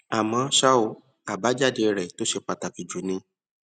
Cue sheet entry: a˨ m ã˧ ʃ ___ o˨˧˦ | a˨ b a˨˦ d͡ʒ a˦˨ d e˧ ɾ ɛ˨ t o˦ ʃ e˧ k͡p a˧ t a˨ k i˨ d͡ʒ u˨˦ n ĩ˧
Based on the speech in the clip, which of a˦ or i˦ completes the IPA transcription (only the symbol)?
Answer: a˦